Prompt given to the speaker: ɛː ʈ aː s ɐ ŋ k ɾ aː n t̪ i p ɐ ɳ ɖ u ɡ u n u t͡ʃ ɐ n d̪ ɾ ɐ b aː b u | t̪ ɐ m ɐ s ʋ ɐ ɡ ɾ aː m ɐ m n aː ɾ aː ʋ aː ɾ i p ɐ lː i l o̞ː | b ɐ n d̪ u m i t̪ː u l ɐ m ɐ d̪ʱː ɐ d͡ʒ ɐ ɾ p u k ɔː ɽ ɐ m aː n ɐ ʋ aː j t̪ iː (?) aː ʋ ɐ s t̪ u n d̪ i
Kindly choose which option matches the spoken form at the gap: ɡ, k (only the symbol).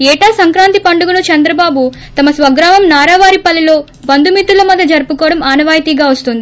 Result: ɡ